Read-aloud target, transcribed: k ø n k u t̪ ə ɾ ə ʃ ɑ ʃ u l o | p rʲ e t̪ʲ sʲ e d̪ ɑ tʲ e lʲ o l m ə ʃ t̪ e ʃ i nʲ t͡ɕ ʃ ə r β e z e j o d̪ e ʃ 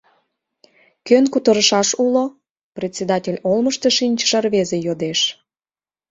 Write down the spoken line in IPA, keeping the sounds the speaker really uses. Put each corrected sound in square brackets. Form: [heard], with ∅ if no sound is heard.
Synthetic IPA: k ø n k u t̪ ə ɾ ə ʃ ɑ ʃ u l o | p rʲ e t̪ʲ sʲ e d̪ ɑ tʲ e lʲ o l m ə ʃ t̪ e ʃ i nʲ t͡ɕ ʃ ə r β e z e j o d̪ e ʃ